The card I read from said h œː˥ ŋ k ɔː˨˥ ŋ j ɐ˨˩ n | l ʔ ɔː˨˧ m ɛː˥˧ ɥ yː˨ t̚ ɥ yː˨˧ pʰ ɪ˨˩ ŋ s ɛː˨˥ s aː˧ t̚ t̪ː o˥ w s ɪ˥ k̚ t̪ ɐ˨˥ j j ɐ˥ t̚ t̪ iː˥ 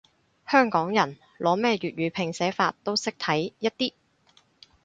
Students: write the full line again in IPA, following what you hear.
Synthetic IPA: h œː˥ ŋ k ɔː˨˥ ŋ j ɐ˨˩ n | l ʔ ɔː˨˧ m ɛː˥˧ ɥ yː˨ t̚ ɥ yː˨˧ pʰ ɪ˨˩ ŋ s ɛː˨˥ f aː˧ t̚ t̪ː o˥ w s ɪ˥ k̚ t̪ʰ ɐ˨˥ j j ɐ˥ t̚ t̪ iː˥